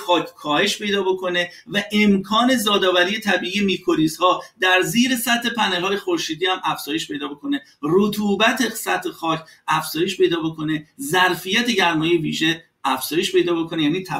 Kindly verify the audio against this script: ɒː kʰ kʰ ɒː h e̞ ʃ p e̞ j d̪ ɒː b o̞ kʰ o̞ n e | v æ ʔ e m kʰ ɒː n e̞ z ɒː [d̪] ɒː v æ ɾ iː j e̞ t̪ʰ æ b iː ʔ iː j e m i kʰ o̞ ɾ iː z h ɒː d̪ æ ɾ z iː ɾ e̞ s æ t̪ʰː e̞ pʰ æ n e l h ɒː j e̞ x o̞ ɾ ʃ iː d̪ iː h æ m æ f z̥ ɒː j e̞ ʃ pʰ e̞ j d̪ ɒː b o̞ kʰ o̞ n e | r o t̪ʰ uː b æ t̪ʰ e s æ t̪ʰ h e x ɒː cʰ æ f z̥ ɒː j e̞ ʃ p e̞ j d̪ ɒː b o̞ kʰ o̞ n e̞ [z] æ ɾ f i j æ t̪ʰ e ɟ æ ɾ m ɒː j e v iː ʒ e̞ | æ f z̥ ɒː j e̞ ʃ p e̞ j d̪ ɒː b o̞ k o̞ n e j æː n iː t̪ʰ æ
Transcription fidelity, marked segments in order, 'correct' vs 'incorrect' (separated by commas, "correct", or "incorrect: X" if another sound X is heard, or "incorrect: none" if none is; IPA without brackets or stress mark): correct, correct